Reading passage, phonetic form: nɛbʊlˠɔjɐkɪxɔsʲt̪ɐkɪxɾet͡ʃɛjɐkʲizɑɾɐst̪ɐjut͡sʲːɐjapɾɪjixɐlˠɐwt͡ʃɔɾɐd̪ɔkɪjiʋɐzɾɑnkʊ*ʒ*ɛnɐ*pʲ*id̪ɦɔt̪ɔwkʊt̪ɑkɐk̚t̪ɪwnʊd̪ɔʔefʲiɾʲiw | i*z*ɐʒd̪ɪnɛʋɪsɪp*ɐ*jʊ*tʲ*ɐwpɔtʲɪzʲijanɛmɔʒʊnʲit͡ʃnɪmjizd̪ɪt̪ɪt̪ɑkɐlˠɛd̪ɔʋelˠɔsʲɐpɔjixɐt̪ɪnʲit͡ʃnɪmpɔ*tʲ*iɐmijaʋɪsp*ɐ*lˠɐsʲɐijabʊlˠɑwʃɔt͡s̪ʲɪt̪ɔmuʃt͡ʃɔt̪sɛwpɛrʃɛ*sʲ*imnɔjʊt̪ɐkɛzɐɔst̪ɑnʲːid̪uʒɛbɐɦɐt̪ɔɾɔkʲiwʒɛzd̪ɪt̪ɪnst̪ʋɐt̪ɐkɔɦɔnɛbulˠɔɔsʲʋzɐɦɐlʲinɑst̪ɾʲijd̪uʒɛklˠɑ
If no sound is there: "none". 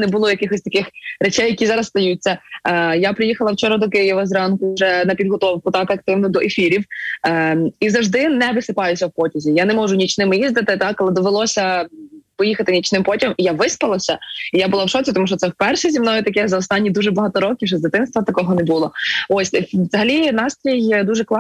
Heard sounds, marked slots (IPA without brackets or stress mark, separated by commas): ʒ, pʲ, z, ɑ, sʲ, tʲ, ɐ, zʲ